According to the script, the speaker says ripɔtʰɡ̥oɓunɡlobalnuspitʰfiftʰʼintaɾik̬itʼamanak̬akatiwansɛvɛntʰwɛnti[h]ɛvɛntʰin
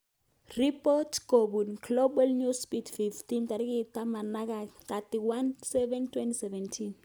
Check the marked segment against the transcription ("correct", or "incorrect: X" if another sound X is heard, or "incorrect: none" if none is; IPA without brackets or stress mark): incorrect: s